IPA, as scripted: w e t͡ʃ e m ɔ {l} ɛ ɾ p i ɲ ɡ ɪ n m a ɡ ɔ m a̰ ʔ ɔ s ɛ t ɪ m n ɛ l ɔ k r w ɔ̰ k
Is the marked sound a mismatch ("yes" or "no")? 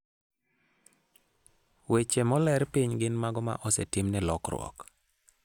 no